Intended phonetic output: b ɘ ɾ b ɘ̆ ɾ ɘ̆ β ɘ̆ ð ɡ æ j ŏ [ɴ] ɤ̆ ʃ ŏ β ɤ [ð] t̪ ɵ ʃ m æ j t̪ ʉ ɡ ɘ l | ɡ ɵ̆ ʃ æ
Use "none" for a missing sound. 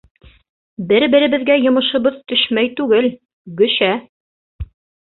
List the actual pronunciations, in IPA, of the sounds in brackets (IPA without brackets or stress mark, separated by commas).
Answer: m, ð